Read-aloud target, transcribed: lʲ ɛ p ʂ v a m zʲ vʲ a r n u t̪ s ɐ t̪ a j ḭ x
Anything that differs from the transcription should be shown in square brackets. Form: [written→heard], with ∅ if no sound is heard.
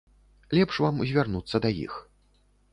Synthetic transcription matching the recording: lʲ ɛ p ʂ v a m zʲ vʲ a r n u t̪ [s→sː] ɐ [t̪→d̪] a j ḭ x